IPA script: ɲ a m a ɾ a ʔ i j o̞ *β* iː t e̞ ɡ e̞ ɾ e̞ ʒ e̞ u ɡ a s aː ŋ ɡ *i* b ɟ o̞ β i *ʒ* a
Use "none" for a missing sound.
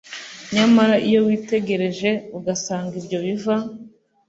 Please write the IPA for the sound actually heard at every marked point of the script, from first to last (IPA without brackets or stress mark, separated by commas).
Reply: w, i, v